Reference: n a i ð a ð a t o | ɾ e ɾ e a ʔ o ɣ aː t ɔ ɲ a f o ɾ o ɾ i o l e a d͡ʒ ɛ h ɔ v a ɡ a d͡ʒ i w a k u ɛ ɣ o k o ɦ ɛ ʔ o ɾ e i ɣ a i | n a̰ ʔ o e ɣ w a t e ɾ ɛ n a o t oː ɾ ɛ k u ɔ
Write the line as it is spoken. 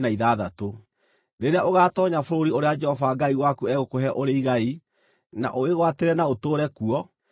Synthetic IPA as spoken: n a i ð a ð a t o | ɾ e ɾ e a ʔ o ɣ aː t ɔ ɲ a f o ɾ o ɾ i o ɾ e a d͡ʒ ɛ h ɔ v a ɡ a i w a k u ɛ ɣ o k o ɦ ɛ ʔ o ɾ e i ɣ a i | n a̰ ʔ o e ɣ w a t e ɾ ɛ n a o t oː ɾ ɛ k u ɔ